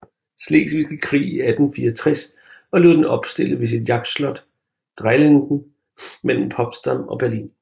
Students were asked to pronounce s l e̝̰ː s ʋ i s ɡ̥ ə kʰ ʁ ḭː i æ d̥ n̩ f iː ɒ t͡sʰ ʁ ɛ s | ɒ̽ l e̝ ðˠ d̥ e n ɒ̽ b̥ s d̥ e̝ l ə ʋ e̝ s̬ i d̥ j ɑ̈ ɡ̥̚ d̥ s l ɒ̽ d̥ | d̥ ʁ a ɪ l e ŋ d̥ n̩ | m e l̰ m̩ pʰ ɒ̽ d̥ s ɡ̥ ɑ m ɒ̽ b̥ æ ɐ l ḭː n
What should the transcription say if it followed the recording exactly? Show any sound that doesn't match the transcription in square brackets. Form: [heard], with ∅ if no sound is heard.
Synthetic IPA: s l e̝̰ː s ʋ i s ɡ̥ ə kʰ ʁ ḭː i æ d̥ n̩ f iː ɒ t͡sʰ ʁ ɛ s | ɒ̽ l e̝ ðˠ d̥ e n ɒ̽ b̥ s d̥ e̝ l ə ʋ e̝ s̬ i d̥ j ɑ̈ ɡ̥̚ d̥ s l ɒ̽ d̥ | d̥ ʁ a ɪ l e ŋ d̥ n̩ | m e l̰ m̩ pʰ ɒ̽ [b̥] s [d̥] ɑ m ɒ̽ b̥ æ ɐ l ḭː n